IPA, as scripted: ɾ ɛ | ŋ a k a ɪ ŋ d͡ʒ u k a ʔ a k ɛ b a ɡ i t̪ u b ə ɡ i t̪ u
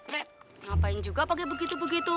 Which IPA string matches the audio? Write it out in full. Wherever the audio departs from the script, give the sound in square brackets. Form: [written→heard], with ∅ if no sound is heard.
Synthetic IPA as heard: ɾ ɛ | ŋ a [k→p] a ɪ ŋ d͡ʒ u [k→ɡ] a [ʔ→p] a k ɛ b [a→ə] ɡ i t̪ u b ə ɡ i t̪ u